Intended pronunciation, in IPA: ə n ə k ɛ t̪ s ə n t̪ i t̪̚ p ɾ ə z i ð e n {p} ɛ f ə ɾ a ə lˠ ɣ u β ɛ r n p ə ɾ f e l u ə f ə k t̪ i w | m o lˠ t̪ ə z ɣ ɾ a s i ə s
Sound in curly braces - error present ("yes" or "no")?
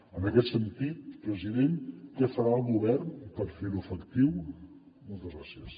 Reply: yes